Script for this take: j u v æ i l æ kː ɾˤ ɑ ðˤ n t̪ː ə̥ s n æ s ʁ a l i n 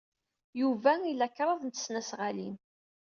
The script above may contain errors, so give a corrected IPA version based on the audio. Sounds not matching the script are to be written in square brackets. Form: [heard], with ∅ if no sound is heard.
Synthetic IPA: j u v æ i l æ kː ɾˤ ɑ ðˤ n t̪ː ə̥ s n æ s ʁ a l i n